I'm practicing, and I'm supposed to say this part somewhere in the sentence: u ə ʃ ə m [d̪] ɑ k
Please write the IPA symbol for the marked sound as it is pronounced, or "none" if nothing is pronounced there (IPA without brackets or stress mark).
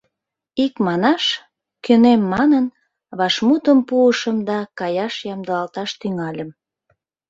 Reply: d̪